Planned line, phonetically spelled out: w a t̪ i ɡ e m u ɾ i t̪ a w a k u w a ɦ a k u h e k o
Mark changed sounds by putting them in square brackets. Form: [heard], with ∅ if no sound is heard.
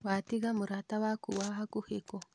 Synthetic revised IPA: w a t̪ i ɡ [a] m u ɾ [a] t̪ a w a k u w a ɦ a k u h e k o